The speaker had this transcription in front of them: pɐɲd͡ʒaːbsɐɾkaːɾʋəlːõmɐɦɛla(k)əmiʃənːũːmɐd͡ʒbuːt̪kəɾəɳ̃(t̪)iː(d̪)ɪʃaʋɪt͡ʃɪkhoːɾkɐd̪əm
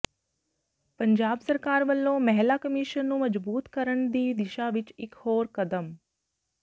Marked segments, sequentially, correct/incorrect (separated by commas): correct, incorrect, correct